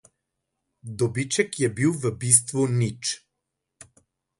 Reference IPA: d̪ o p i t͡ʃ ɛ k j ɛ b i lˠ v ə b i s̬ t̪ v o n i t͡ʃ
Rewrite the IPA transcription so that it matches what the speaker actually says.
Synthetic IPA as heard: d̪ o b i t͡ʃ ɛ k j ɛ b i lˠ v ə b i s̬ t̪ v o n i t͡ʃ